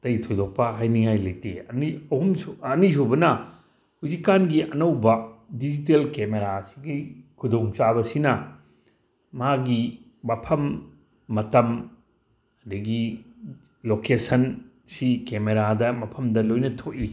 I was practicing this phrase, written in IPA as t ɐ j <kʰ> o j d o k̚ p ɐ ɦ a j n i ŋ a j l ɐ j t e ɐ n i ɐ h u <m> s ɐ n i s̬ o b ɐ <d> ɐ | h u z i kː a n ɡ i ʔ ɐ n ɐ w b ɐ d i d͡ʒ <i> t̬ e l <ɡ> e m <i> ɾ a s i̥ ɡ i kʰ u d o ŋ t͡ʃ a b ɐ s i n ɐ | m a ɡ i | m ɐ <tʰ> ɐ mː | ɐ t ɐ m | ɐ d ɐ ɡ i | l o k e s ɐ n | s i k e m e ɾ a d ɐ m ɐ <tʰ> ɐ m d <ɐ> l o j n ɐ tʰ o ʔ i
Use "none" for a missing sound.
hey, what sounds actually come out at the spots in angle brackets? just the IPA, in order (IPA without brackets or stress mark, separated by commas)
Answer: tʰ, m, n, i, k, e, pʰ, pʰ, ɐ